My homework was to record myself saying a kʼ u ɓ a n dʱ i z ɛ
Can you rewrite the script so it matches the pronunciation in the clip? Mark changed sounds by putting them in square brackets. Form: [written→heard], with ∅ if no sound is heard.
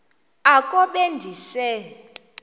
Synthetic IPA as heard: a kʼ [u→ɔ] ɓ [a→e] n dʱ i [z→s] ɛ